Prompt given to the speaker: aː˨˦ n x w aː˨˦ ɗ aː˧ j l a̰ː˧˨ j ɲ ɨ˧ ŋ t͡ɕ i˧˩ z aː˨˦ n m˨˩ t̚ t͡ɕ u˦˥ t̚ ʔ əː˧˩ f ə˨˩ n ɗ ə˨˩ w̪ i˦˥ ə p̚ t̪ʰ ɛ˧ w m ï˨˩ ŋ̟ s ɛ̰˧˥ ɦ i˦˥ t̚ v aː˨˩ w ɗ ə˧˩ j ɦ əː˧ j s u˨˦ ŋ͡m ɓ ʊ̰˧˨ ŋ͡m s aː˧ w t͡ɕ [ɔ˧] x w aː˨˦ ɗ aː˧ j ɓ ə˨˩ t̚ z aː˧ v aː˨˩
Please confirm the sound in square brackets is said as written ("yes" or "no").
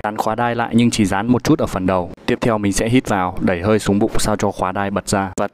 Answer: yes